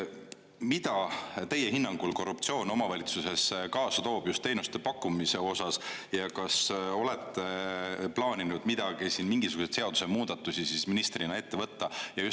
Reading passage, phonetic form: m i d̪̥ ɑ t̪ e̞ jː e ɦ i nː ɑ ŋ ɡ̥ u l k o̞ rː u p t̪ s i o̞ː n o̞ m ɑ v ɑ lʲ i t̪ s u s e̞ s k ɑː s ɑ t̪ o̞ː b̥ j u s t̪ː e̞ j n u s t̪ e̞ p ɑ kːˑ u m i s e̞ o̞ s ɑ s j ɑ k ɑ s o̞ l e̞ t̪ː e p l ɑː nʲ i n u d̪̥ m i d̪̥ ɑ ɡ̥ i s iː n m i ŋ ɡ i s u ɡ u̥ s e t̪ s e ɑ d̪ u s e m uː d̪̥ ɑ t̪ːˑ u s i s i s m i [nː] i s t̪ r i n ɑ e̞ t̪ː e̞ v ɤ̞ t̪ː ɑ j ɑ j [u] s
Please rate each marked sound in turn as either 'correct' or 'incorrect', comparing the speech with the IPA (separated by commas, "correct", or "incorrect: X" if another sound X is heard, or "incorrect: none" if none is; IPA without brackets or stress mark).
incorrect: n, correct